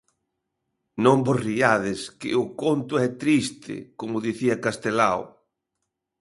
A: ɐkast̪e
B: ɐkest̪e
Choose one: A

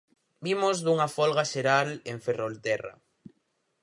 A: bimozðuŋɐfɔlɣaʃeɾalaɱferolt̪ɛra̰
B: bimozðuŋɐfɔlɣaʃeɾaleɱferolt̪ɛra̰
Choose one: B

